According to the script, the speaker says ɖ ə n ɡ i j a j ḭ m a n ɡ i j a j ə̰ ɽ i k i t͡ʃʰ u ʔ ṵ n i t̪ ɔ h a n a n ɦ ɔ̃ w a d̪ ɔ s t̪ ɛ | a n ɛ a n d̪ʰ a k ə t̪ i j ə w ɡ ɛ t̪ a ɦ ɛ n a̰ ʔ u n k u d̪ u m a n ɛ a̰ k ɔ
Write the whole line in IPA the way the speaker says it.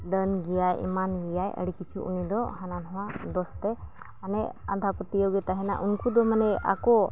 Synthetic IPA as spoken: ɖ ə n ɡ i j a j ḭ m a n ɡ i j a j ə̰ ɽ i k i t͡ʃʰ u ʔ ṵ n i d̪ ɔ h a n a n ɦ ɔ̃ w a d̪ ɔ s t̪ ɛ | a n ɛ a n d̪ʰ a p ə t̪ i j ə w ɡ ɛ t̪ a ɦ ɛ n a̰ ʔ u n k u d̪ ɔ m a n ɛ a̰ k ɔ